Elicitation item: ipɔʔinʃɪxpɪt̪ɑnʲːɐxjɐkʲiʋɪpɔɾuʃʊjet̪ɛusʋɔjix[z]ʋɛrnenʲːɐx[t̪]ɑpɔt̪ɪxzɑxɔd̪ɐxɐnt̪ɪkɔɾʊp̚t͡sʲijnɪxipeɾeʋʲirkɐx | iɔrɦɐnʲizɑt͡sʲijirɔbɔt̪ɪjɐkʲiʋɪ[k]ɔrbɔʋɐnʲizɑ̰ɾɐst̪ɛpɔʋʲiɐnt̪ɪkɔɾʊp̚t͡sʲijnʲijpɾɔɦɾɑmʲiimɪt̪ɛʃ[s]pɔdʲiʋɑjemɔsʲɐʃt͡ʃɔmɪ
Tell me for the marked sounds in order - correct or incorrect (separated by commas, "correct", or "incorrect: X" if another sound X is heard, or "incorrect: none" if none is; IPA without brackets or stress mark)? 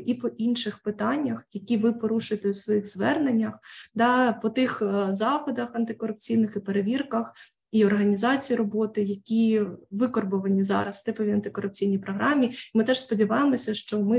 correct, incorrect: d̪, correct, correct